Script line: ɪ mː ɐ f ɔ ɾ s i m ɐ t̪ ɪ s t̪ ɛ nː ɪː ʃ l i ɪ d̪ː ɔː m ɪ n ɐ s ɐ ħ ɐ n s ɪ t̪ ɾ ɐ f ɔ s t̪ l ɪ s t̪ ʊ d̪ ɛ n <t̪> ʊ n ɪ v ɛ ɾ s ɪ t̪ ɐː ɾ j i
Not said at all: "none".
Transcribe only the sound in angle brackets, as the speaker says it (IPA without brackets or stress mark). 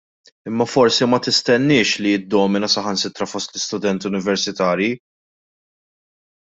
t̪